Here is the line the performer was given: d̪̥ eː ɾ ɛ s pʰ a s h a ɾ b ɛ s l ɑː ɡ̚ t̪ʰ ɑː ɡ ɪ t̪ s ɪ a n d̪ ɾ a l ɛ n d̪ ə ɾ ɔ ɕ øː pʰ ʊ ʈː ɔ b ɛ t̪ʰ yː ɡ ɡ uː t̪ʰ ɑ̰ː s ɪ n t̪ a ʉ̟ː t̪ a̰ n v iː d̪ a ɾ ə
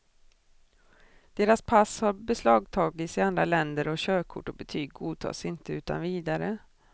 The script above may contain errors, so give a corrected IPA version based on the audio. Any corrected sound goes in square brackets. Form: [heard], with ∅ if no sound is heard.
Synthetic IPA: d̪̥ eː ɾ [a] s pʰ a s h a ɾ b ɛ s l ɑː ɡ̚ t̪ʰ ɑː ɡ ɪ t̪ s ɪ a n d̪ ɾ a l ɛ n d̪ ə ɾ ɔ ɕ øː [kʰ] ʊ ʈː ɔ b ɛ t̪ʰ yː ɡ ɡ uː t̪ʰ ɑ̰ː s ɪ n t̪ [ə] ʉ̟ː t̪ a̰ n v iː d̪ a ɾ ə